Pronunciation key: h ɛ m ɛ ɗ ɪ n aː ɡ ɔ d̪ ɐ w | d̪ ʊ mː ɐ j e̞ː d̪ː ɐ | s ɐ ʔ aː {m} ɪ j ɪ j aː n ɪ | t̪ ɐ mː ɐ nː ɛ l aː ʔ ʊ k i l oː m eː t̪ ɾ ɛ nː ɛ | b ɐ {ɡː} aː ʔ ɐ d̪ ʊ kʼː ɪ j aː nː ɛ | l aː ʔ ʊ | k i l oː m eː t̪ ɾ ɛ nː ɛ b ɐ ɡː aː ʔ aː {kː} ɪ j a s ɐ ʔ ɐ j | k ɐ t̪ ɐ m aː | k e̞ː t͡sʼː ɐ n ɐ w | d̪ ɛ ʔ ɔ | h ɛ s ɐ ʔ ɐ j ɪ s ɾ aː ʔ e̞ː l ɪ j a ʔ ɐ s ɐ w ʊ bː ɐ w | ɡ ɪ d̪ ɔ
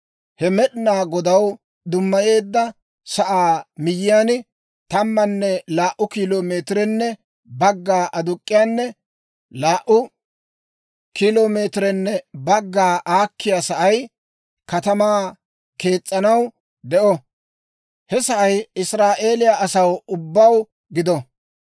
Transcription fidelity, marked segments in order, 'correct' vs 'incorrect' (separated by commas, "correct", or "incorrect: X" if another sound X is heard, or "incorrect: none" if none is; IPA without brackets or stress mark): correct, correct, correct